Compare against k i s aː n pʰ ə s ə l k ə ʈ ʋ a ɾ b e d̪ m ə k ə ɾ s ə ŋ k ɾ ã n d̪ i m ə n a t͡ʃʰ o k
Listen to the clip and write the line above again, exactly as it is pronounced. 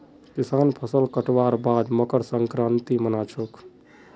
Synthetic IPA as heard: k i s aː n pʰ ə s ə l k ə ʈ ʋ a ɾ b a d̪ m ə k ə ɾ s ə ŋ k ɾ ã n t̪ i m ə n a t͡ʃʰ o k